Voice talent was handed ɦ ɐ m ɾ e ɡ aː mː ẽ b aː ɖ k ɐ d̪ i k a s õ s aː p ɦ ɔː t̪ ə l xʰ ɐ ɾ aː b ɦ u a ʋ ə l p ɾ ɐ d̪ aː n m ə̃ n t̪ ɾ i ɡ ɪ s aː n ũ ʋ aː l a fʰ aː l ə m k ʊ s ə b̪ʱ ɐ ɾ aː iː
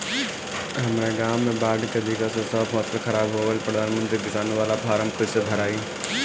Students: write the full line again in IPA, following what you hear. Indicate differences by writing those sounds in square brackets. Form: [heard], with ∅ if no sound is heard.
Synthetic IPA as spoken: ɦ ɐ m ɾ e ɡ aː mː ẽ b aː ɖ k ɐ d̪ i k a s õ s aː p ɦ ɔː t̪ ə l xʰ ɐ ɾ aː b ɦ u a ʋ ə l p ɾ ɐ d̪ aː n m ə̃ n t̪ ɾ i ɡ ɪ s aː n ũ ʋ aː l a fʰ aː [ɾ] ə m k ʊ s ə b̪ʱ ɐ ɾ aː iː